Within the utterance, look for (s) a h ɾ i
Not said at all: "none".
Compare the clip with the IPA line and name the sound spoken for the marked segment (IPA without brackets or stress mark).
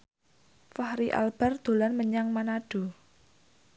f